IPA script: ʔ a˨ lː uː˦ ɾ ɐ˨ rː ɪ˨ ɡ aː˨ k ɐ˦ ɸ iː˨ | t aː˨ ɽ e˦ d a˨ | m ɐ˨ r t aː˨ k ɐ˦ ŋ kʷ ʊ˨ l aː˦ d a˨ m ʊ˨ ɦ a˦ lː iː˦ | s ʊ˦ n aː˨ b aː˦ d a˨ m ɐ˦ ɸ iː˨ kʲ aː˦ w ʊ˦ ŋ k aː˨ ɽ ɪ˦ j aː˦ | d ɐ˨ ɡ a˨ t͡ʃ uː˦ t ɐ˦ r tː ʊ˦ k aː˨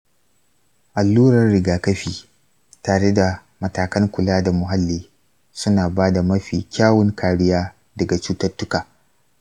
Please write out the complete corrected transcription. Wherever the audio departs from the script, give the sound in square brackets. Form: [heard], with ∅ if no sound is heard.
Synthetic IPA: ʔ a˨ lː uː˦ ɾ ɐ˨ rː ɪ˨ ɡ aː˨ k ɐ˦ ɸ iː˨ | t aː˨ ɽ e˦ d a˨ | m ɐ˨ [∅] t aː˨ k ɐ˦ ŋ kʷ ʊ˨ l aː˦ d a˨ m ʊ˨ ɦ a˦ lː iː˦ | s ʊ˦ n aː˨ b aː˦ d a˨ m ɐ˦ ɸ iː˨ kʲ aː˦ w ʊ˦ ŋ k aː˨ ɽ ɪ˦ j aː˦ | d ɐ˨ ɡ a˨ t͡ʃ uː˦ t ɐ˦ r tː ʊ˦ k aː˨